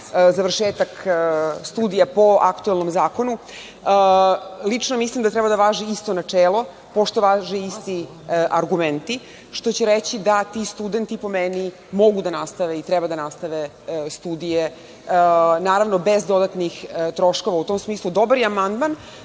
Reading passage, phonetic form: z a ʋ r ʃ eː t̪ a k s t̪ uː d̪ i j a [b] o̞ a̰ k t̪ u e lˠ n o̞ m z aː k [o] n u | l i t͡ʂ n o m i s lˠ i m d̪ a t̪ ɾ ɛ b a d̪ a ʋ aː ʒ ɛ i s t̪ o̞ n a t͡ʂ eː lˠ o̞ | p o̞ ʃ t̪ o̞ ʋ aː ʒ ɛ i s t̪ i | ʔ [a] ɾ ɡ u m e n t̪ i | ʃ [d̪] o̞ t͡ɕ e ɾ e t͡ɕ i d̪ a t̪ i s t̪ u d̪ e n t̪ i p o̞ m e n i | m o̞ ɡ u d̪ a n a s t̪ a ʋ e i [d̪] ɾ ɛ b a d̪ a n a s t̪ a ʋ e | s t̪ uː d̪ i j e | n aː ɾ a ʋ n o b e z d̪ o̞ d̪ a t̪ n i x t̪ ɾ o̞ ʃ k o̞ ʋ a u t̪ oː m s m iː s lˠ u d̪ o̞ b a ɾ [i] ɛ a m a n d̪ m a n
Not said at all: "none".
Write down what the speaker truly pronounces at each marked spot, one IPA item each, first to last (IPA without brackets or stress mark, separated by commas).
p, o, a, t̪, t̪, j